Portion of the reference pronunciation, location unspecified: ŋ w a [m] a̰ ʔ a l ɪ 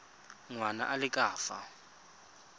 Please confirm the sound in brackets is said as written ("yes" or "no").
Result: no